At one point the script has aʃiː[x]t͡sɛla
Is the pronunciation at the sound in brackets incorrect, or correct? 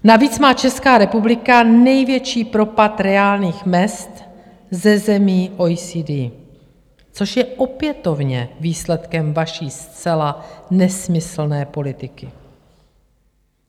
incorrect: s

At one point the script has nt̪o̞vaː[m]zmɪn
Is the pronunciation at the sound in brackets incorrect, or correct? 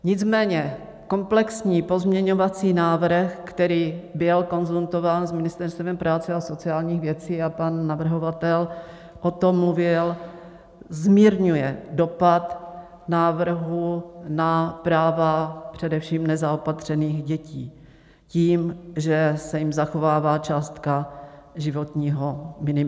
incorrect: n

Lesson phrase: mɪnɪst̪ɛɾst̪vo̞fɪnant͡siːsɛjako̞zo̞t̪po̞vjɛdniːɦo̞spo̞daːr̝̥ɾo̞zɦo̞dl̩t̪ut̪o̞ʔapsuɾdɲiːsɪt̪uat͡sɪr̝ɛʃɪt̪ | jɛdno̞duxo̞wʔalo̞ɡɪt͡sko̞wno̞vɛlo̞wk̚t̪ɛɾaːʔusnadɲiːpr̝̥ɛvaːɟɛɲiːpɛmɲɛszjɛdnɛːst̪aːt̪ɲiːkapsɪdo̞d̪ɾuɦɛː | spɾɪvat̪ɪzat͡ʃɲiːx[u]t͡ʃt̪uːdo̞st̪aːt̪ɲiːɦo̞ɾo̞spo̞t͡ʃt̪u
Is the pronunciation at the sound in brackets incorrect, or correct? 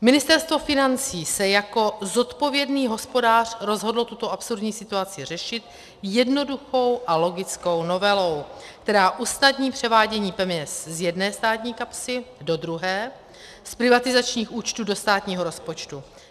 incorrect: uː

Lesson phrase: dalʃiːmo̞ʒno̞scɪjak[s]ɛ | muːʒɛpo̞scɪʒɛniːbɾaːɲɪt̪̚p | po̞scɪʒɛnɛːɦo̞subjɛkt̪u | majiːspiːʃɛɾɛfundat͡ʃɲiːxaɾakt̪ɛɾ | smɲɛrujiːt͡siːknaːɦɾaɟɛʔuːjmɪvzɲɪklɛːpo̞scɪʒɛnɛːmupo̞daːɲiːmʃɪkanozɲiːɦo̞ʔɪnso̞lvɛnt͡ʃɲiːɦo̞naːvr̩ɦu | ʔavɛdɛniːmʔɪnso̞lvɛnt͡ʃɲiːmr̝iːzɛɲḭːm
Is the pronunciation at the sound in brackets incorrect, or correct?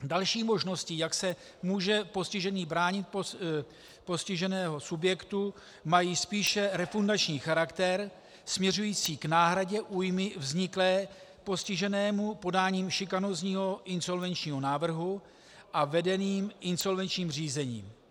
correct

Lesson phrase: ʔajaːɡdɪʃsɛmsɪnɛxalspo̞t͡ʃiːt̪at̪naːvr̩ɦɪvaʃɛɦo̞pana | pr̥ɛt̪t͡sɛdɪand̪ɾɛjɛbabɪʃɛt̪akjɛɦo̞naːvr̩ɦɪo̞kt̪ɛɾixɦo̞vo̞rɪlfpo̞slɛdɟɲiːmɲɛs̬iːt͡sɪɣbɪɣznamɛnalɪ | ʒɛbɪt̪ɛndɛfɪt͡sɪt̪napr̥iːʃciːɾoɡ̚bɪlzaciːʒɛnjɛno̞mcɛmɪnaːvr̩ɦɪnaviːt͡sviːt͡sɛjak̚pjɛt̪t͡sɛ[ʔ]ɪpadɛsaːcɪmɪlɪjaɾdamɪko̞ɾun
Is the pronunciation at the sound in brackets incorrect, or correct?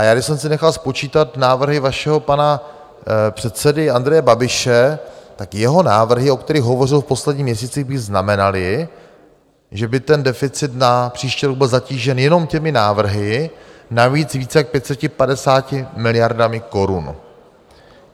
incorrect: c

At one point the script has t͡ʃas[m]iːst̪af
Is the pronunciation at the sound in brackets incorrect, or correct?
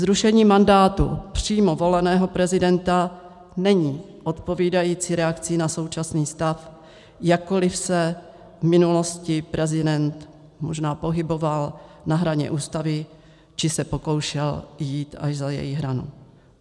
incorrect: n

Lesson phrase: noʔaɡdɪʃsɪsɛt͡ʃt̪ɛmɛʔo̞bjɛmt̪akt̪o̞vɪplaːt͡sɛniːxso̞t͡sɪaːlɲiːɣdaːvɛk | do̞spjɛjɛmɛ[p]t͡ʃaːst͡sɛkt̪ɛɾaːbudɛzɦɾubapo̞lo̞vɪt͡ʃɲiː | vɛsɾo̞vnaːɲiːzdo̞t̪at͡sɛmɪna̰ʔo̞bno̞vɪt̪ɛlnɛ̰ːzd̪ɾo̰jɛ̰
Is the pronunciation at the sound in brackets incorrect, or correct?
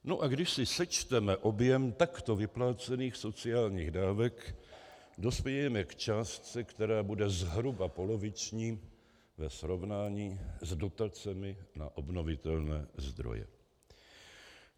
incorrect: k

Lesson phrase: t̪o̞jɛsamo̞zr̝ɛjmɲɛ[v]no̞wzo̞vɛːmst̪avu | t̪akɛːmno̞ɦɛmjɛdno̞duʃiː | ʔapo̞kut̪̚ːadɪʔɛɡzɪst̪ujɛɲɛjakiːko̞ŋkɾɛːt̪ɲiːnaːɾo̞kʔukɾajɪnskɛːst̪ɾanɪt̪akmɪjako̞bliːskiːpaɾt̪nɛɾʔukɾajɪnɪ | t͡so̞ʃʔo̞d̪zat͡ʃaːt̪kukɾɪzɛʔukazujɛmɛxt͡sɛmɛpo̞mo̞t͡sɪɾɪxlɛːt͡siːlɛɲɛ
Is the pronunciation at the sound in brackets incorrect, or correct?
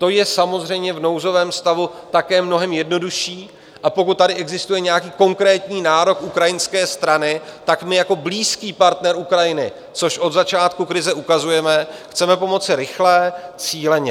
correct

